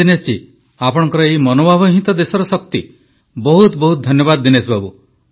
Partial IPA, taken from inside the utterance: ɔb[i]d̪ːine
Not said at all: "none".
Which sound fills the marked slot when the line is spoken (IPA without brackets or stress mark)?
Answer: a